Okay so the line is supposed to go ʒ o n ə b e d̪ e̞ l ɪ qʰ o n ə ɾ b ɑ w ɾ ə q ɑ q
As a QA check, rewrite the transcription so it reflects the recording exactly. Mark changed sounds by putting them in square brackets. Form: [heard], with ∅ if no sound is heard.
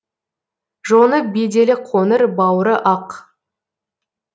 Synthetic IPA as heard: ʒ o n ə b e d̪ e̞ l ɪ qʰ o n ə ɾ b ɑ w ɾ ə [ʔ] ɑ q